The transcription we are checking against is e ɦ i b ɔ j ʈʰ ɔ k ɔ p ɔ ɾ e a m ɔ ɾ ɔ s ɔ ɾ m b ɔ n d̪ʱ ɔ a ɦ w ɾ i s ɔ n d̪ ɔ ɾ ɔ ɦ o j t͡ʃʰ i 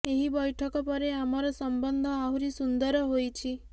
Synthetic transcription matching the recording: e ɦ i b ɔ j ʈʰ ɔ k ɔ p ɔ ɾ e a m ɔ ɾ ɔ s ɔ m b ɔ n d̪ʱ ɔ a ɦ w ɾ i s u n d̪ ɔ ɾ ɔ ɦ o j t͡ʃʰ i